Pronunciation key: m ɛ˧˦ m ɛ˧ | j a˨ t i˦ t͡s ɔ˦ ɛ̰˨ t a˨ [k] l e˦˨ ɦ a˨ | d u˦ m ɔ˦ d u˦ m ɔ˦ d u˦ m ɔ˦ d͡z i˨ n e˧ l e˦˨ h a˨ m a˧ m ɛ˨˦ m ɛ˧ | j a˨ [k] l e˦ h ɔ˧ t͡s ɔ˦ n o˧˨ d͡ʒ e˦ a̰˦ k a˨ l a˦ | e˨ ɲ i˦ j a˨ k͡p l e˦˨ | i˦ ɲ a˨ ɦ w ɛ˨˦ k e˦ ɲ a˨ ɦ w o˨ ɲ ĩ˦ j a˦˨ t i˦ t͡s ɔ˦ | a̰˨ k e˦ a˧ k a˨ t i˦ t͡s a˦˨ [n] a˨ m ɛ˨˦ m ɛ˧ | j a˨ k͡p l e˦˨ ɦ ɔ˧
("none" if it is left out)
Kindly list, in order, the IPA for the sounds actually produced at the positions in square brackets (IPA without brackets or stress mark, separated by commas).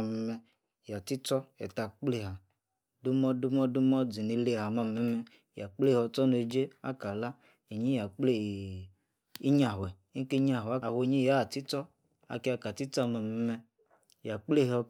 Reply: k͡p, k͡p, m